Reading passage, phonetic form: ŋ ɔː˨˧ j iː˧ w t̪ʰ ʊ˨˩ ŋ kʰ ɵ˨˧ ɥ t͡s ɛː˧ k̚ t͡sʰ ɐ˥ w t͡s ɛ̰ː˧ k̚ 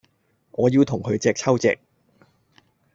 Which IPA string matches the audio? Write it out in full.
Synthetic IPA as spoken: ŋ ɔː˨˧ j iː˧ w t̪ʰ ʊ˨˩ ŋ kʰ ɵ˨˧ ɥ t͡s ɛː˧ k̚ t͡sʰ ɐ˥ w t͡s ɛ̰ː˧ k̚